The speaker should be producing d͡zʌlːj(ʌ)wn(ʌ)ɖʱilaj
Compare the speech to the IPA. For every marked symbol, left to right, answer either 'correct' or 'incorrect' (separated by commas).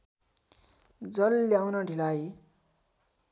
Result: incorrect, correct